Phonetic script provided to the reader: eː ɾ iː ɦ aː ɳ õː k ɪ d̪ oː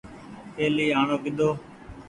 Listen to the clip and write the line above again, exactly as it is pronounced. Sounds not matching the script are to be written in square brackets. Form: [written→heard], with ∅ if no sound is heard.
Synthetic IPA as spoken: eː [ɾ→l] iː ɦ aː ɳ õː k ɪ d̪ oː

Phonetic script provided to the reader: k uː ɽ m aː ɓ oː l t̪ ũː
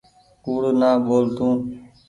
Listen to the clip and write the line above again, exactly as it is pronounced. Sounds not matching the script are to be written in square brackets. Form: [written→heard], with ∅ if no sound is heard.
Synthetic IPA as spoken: k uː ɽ [m→n] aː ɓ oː l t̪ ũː

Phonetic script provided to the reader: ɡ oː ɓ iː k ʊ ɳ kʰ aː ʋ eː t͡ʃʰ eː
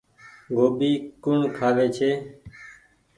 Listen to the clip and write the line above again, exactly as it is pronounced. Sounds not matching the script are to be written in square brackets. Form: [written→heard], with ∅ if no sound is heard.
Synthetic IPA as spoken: ɡ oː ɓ iː k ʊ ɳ kʰ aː ʋ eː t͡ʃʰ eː

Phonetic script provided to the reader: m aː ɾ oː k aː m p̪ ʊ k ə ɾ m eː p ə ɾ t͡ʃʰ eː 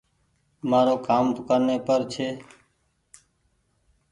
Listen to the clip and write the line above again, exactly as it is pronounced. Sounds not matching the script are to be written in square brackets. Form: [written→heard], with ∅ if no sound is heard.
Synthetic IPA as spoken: m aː ɾ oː k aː m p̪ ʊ k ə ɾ [m→n] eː p ə ɾ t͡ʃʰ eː

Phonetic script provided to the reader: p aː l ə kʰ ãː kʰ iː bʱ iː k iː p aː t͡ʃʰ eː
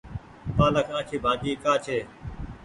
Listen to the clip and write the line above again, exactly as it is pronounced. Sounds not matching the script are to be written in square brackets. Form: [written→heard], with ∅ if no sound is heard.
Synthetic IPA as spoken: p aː l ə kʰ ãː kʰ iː bʱ [iː→aː] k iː [p→k] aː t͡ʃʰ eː

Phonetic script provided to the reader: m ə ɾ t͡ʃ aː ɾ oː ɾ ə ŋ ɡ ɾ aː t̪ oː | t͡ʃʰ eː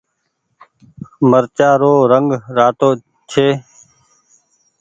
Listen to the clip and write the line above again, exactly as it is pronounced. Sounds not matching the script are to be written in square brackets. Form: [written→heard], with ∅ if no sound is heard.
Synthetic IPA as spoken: m ə ɾ t͡ʃ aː ɾ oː ɾ ə ŋ ɡ ɾ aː t̪ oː | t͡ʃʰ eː

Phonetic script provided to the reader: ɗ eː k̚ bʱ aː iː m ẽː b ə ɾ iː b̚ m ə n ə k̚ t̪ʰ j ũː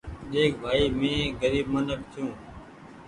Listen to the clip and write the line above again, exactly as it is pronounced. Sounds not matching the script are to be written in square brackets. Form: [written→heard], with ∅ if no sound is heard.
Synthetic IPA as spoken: ɗ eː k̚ bʱ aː iː m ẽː [b→ɡ] ə ɾ iː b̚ m ə n ə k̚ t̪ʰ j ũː

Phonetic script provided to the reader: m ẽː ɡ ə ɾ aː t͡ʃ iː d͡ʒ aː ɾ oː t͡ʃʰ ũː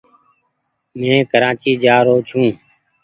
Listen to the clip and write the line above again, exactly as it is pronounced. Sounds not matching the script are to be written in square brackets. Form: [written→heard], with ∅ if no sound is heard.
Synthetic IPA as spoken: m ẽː [ɡ→k] ə ɾ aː t͡ʃ iː d͡ʒ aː ɾ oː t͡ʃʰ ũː

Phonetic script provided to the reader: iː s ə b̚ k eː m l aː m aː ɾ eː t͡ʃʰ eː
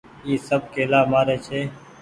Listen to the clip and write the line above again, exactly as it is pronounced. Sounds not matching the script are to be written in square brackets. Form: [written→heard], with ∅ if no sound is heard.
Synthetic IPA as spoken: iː s ə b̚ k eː [m→∅] l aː m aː ɾ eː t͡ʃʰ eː

